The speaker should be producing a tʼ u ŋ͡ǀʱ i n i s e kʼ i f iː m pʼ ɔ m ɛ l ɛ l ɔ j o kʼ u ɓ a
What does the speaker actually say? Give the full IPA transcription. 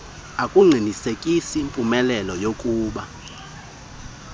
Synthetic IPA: a kʼ u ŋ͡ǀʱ i n i s e kʼ i s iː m pʼ u m ɛ l ɛ l ɔ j o kʼ uː ɓ a